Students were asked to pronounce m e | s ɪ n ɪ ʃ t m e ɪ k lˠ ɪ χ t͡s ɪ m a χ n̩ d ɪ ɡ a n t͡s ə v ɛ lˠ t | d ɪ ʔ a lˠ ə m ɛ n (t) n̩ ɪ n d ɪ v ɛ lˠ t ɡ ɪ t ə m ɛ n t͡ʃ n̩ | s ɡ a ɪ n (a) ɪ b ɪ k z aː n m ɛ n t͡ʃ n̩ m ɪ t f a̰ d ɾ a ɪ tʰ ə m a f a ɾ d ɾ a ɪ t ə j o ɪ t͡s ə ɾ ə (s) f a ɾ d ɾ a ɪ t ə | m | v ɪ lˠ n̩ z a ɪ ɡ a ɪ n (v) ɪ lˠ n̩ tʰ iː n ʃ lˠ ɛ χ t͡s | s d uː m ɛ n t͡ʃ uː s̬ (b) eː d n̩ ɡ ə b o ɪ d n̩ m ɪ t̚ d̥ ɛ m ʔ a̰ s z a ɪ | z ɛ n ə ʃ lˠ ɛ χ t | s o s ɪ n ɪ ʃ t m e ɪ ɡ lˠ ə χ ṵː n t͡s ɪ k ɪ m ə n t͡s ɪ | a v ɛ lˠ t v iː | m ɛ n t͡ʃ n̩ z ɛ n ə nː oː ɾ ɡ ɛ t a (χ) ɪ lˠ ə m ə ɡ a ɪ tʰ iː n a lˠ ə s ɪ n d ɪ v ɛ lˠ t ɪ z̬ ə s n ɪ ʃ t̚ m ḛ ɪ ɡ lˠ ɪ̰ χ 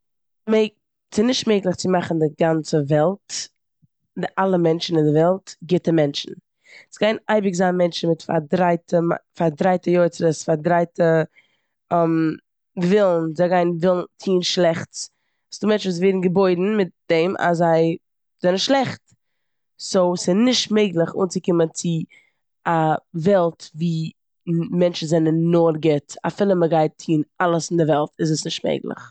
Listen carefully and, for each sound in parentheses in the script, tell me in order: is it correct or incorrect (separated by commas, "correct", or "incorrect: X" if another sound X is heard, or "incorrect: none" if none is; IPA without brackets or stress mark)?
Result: incorrect: t͡ʃ, correct, correct, correct, incorrect: v, incorrect: f